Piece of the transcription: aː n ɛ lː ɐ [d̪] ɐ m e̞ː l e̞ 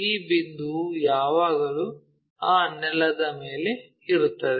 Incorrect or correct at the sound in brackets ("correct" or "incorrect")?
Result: correct